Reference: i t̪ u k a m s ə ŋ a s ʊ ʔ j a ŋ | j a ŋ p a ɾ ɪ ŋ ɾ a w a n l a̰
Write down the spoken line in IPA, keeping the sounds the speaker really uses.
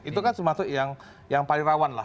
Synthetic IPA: i t̪ u k a n s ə m a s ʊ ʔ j a ŋ | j a ŋ p a l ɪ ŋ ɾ a w a n l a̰